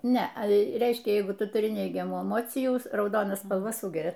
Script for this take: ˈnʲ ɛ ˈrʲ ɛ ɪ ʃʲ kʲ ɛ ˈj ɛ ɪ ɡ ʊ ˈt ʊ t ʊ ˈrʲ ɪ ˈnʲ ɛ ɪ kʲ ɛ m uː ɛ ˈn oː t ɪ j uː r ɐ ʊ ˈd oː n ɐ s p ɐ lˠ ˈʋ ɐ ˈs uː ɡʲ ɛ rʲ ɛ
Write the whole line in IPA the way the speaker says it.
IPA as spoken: ˈnʲ ɛ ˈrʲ ɛ ɪ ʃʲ kʲ ɛ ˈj ɛ ɪ ɡ ʊ ˈt ʊ t ʊ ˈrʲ ɪ ˈnʲ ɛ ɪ ɡʲ ɛ m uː ɛ ˈm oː t͡sʲ ɪ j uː r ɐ ʊ ˈd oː n ɐ s p ɐ lˠ ˈʋ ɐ ˈs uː ɡʲ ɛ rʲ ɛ